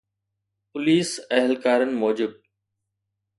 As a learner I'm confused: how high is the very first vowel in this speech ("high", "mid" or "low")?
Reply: high